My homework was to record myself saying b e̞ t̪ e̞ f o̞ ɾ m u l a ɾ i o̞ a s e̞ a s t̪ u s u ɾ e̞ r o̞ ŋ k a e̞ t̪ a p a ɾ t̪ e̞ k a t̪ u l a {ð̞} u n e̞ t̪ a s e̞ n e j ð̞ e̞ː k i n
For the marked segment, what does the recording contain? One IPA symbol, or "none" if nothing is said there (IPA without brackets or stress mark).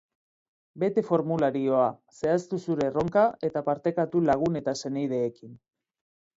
ɣ̞